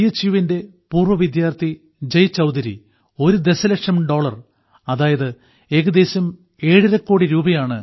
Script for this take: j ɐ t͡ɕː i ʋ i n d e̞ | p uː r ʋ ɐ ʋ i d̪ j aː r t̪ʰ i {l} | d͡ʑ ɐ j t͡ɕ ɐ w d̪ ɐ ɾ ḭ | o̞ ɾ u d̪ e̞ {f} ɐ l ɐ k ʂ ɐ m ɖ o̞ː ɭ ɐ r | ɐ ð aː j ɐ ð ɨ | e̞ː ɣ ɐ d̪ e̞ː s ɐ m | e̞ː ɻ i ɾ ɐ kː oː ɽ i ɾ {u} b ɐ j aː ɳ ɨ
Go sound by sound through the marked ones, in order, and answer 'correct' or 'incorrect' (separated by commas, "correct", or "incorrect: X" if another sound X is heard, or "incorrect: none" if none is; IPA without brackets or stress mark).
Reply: incorrect: none, incorrect: s, incorrect: uː